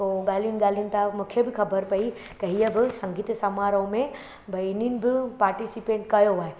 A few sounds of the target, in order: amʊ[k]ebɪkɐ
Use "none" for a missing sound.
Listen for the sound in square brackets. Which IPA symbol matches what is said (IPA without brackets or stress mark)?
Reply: kʰ